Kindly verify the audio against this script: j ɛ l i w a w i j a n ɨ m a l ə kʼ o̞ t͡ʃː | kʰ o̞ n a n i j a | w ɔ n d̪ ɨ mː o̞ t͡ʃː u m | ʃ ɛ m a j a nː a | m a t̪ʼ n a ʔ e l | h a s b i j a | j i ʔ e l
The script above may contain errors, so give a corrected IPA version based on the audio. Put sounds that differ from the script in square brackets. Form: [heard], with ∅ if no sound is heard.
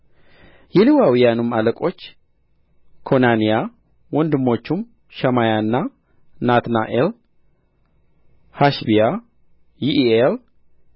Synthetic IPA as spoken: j ɛ l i w a w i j a n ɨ m a l ə kʼ o̞ t͡ʃː | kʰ o̞ n a n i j a | w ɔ n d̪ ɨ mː o̞ t͡ʃː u m | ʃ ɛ m a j a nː a | [n] a [t̪] n a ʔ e l | h a [ʃ] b i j a | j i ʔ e l